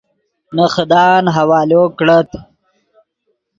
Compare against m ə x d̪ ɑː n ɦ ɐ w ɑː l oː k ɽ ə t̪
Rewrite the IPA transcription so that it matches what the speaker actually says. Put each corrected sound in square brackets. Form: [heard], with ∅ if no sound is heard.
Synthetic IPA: [n] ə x d̪ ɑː n ɦ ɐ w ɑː l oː k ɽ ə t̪